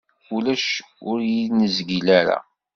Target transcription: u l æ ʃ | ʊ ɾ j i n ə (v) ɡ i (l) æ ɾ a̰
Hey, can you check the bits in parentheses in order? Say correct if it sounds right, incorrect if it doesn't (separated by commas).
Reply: incorrect, correct